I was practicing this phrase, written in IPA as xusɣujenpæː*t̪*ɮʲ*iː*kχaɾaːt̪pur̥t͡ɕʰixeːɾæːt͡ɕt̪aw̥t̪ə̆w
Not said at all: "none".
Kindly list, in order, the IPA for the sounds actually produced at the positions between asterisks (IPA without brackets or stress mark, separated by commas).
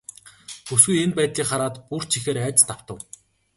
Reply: t̪, iː